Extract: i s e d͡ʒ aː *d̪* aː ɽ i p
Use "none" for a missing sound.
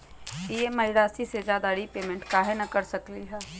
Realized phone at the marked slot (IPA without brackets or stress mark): d̪